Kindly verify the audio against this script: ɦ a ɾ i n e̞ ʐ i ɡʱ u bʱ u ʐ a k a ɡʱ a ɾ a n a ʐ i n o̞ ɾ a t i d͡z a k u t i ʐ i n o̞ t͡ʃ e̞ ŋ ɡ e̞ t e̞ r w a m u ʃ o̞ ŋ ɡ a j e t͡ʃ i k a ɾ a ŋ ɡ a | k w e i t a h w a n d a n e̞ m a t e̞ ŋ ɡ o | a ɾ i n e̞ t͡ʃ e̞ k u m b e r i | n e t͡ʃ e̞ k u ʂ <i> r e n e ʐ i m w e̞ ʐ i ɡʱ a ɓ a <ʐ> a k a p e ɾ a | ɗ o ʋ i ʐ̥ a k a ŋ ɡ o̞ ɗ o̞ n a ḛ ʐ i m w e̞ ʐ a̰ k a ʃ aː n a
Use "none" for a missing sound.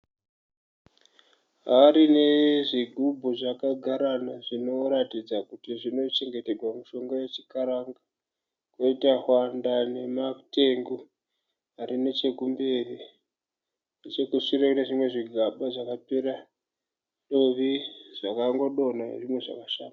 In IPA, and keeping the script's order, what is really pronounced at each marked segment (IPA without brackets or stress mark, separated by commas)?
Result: i, ʐ